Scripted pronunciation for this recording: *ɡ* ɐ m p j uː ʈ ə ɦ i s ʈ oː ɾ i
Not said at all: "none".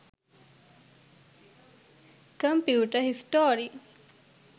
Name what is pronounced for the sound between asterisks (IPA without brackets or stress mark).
k